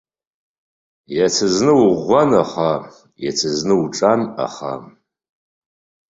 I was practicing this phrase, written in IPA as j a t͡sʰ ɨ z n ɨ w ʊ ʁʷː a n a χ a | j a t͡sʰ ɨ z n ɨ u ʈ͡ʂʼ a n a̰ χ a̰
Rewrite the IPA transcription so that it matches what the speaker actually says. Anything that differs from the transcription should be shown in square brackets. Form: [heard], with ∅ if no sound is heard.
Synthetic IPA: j a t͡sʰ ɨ z n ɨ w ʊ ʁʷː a n a χ a | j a t͡sʰ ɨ z n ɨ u ʈ͡ʂʼ a n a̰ χ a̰

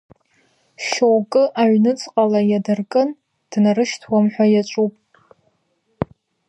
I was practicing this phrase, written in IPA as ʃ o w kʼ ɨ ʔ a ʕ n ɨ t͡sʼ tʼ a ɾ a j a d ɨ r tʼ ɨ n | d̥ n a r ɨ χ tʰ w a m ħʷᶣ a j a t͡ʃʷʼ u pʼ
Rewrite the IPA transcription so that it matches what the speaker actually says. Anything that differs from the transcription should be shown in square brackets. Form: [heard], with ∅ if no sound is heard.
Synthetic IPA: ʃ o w kʼ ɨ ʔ a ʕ n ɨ t͡sʼ [qʼ] a [l] a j a d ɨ r [kʼ] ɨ n | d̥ n a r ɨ [ʃ] tʰ w a m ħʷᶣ a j a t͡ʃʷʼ u pʼ

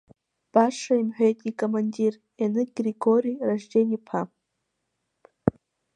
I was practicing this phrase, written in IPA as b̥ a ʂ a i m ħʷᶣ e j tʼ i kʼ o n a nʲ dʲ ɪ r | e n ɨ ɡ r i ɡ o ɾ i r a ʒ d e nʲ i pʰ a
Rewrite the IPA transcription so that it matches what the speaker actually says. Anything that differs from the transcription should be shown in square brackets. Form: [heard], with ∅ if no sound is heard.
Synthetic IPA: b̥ a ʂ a i m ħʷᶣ e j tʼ i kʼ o [m] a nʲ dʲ [i] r | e n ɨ ɡ r i ɡ o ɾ i r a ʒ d e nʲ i pʰ a

